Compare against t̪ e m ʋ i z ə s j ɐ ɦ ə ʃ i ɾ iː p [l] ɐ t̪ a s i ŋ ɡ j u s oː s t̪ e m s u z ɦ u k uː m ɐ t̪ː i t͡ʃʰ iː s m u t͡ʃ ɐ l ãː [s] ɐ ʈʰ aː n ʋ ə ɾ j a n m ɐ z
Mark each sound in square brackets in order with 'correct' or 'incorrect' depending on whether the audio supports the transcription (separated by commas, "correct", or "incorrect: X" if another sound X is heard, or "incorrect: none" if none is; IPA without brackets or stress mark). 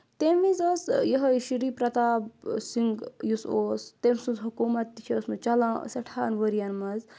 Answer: incorrect: ɾ, correct